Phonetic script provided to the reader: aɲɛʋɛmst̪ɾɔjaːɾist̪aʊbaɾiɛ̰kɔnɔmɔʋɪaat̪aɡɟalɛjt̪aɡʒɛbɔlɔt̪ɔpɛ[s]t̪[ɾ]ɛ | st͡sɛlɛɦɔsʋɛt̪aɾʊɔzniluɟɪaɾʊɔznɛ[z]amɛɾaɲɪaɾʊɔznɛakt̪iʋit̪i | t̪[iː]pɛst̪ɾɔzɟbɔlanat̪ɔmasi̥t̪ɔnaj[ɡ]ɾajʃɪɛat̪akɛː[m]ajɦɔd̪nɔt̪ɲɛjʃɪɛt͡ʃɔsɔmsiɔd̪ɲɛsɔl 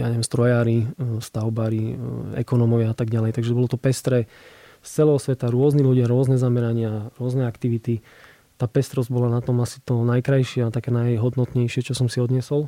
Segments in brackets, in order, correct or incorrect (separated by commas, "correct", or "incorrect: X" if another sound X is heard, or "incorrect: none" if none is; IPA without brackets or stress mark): correct, correct, correct, incorrect: aː, incorrect: k, incorrect: n